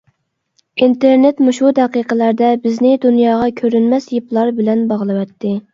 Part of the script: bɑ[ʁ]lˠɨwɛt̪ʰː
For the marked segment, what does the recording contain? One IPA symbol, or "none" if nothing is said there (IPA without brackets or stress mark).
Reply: ʁ